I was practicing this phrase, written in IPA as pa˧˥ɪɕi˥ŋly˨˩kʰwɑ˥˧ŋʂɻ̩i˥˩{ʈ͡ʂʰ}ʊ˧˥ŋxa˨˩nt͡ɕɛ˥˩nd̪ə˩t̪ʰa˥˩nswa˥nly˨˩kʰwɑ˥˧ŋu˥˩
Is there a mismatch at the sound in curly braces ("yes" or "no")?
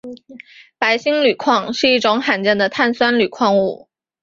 yes